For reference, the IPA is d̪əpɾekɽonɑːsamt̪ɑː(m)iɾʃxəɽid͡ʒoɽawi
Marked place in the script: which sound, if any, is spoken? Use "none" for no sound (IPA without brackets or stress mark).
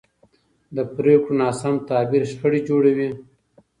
b